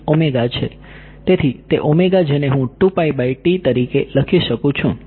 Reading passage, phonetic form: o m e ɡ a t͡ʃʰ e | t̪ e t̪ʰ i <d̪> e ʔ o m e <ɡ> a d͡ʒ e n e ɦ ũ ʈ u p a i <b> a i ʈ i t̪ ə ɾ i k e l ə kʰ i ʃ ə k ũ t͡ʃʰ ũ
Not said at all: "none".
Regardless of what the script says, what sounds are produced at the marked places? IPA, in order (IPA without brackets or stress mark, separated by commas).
t̪, ɡ, b